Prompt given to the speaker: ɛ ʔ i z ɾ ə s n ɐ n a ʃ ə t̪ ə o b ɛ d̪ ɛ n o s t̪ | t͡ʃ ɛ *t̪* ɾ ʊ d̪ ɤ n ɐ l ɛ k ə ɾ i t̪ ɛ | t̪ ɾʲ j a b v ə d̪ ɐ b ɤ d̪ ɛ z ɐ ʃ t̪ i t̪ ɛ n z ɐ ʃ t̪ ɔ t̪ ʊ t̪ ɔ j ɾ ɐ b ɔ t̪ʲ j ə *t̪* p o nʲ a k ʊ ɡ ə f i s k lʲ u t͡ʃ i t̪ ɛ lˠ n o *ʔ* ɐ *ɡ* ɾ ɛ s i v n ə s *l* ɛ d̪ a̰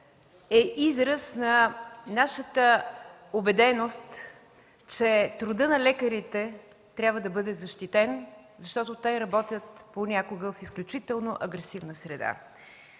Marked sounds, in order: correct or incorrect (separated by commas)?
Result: correct, correct, correct, correct, incorrect